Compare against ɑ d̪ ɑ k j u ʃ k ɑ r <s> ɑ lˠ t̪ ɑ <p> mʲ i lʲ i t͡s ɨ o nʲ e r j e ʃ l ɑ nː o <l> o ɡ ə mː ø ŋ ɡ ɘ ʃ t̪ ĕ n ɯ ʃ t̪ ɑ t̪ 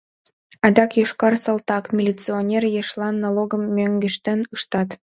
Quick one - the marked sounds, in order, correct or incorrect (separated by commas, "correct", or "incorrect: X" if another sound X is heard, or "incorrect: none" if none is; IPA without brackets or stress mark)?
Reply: correct, incorrect: k, correct